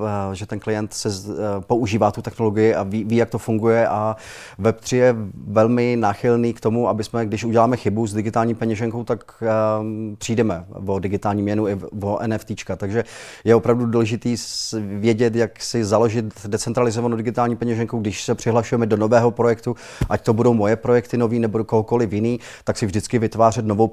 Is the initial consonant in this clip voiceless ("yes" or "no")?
no